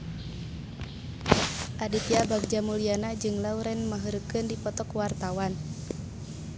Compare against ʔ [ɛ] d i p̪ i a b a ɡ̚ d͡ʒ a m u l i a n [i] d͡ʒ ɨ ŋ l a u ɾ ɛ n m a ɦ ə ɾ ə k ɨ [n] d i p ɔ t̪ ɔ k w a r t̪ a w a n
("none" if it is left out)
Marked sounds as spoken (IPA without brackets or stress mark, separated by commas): a, a, n